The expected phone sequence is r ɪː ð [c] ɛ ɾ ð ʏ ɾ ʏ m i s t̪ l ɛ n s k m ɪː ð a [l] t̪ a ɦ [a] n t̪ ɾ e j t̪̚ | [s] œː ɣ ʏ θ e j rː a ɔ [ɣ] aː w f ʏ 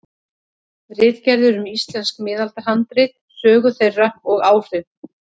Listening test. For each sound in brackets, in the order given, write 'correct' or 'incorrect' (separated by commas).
correct, correct, correct, correct, correct